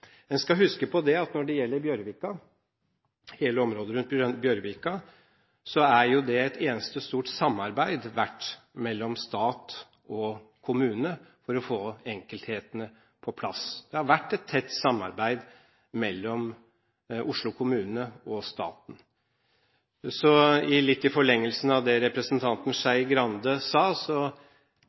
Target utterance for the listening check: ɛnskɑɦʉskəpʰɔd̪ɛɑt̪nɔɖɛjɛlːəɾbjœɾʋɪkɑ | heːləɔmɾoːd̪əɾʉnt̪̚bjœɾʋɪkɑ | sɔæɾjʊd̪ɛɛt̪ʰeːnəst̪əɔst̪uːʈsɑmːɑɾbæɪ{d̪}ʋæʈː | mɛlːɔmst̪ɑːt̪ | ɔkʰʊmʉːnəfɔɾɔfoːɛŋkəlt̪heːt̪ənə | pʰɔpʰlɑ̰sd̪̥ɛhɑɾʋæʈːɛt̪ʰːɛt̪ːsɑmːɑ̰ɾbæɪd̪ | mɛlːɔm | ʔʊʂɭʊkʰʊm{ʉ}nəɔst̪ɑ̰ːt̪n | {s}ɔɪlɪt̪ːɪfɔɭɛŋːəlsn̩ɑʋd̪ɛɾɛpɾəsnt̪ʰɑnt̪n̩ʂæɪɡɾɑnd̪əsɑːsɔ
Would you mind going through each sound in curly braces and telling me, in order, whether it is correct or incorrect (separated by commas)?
correct, incorrect, correct